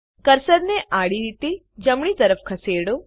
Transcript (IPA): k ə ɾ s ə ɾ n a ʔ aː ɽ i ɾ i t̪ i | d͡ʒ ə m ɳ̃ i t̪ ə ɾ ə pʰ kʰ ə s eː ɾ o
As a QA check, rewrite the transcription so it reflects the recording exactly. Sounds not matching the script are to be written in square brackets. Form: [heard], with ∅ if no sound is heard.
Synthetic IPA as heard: k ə ɾ s ə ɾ n [e] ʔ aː ɽ i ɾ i t̪ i | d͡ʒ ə m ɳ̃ i t̪ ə ɾ ə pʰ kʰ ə s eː [ɽ] o